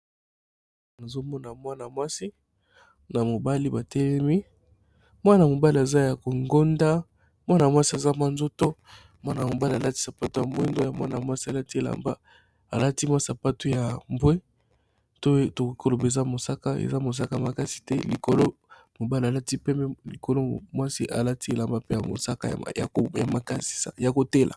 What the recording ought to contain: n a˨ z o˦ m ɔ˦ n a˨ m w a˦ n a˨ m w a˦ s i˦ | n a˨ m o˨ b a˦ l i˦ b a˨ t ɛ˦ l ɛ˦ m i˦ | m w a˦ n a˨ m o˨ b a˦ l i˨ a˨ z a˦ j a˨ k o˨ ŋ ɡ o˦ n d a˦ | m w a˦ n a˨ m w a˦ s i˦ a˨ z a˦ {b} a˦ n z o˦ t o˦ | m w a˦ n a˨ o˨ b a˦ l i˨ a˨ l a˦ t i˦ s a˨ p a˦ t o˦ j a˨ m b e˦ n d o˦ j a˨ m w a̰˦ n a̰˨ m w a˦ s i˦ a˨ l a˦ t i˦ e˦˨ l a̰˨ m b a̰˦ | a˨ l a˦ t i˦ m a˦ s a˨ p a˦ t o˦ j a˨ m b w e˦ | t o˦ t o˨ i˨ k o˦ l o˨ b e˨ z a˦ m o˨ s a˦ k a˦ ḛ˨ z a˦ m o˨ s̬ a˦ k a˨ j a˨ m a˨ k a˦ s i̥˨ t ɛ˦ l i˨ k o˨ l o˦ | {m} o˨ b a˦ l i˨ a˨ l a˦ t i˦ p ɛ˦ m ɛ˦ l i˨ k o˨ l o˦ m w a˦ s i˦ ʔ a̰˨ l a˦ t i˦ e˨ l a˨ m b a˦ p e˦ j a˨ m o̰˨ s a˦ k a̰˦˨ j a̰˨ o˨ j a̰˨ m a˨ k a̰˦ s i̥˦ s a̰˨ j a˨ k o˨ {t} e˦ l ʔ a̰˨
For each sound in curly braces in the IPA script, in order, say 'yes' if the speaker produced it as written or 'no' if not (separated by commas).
no, yes, yes